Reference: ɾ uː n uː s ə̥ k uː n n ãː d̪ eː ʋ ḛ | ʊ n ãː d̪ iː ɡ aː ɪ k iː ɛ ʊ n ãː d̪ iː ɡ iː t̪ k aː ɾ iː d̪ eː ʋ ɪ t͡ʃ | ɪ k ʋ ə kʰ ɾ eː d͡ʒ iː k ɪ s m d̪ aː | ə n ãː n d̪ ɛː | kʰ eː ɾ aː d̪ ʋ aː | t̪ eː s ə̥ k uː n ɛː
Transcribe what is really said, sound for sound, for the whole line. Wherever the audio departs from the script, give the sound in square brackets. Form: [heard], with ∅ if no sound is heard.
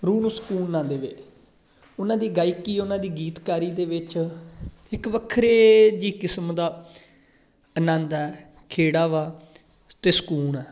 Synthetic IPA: ɾ uː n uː s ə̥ k uː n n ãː d̪ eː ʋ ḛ | ʊ n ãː d̪ iː ɡ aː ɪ k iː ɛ ʊ n ãː d̪ iː ɡ iː t̪ k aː ɾ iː d̪ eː ʋ ɪ t͡ʃ | ɪ k ʋ ə kʰ ɾ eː d͡ʒ iː k ɪ s m d̪ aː | ə n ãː n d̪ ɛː | kʰ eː [ɽ] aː [∅] ʋ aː | t̪ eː s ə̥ k uː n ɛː